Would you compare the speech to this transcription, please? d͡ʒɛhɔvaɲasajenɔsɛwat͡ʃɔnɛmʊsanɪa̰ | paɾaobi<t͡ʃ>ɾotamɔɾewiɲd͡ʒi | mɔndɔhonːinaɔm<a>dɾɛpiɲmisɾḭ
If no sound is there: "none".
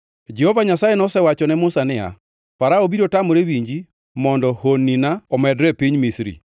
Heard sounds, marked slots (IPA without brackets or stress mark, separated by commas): none, ɛ